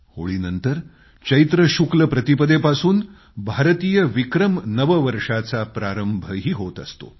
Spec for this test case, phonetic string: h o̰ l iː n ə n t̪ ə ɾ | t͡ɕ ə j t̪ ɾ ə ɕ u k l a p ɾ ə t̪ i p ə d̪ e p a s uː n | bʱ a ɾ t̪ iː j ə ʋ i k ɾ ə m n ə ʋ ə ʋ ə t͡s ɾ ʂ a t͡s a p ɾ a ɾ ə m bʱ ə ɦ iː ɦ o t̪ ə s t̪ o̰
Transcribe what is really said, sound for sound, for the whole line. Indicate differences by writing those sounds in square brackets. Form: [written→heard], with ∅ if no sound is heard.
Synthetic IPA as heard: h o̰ [l→ɭ] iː n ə n t̪ ə ɾ | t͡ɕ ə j t̪ ɾ ə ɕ u k l [a→ə] p ɾ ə t̪ i p ə d̪ e p a s uː n | bʱ a ɾ t̪ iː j ə ʋ i k ɾ ə m n ə ʋ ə ʋ ə [t͡s→∅] ɾ ʂ a t͡s a p ɾ a ɾ ə m bʱ ə ɦ iː ɦ o t̪ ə s t̪ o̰

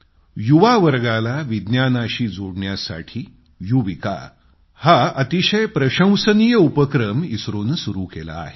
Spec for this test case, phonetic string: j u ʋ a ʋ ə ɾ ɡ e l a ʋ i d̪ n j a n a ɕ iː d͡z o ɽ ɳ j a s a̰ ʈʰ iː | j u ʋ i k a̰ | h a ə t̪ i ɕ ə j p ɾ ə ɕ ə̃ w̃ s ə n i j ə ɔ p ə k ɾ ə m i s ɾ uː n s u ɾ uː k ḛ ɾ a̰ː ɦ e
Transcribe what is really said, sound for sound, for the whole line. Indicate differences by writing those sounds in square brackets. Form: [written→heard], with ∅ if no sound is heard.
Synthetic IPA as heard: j u ʋ a ʋ ə ɾ ɡ [e→a] l a ʋ i d̪ n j a n a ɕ iː d͡z o ɽ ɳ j a s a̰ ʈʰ iː | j u ʋ i k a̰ | h a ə t̪ i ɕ ə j p ɾ ə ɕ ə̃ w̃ s ə n i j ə [ɔ→u] p ə k ɾ ə m i s ɾ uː n s u ɾ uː k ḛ [ɾ→l] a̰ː ɦ e

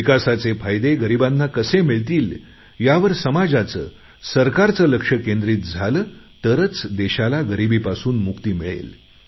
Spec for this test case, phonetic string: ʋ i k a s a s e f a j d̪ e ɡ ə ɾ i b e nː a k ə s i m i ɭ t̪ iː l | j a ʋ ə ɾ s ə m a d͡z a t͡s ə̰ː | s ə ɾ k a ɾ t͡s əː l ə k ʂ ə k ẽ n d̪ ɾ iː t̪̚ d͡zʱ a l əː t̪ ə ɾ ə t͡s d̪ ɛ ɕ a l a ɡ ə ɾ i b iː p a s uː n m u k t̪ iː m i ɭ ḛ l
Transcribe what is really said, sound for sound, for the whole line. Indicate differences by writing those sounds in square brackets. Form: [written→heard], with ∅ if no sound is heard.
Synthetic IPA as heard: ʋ i k a s a [s→t͡s] e f a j d̪ e ɡ ə ɾ i b [e→a] nː a k ə s [i→e] m i ɭ t̪ iː l | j a ʋ ə ɾ s ə m a d͡z a t͡s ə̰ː | s ə ɾ k a ɾ t͡s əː l ə k ʂ ə k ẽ n d̪ ɾ iː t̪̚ d͡zʱ a l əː t̪ ə ɾ ə t͡s d̪ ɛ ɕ a l a ɡ ə ɾ i b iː p a s uː n m u k t̪ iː m i ɭ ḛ l

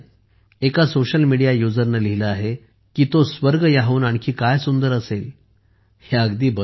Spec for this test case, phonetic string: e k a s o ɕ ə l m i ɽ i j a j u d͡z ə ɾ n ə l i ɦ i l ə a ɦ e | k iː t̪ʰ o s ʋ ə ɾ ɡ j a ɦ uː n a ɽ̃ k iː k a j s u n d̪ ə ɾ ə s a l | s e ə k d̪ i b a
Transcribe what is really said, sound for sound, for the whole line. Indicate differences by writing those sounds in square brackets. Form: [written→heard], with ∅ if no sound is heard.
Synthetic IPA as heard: e k a s o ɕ ə l m i ɽ i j a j u d͡z ə ɾ n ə l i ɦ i l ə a ɦ e | k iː [t̪ʰ→t̪] o s ʋ ə ɾ ɡ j a ɦ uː n a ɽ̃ k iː k a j s u n d̪ ə ɾ ə s [a→e] l | [s→h] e ə [k→ɡ] d̪ [i→iː] b [a→ə]

